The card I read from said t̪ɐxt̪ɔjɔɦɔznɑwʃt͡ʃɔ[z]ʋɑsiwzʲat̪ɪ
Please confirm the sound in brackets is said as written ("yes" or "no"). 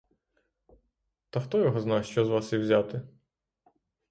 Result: yes